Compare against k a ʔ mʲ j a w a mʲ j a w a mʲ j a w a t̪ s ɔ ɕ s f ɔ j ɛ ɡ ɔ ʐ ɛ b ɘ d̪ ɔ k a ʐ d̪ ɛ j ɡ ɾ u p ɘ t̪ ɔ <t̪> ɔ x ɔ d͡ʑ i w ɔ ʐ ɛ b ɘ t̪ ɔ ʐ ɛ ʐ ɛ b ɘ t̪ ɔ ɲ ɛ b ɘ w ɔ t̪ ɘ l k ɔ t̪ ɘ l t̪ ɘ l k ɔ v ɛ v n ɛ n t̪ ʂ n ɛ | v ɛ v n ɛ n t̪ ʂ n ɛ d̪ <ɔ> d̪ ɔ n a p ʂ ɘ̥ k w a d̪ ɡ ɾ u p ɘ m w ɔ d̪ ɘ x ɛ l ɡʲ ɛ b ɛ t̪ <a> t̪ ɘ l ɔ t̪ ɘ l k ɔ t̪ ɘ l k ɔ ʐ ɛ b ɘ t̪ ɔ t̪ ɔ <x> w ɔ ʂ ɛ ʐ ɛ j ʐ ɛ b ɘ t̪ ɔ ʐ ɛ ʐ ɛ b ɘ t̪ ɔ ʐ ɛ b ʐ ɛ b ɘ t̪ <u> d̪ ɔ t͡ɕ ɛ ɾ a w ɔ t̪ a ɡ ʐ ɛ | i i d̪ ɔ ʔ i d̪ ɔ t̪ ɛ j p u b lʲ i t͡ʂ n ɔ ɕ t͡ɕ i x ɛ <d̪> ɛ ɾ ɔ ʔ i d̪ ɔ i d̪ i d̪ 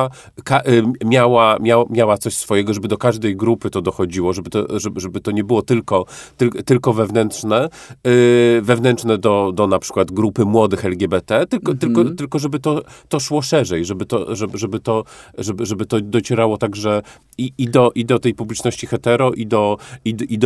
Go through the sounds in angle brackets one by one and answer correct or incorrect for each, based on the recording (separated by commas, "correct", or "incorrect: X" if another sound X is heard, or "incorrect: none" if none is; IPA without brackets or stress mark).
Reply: incorrect: d̪, correct, incorrect: ɛ, incorrect: ʂ, incorrect: ɔ, incorrect: t̪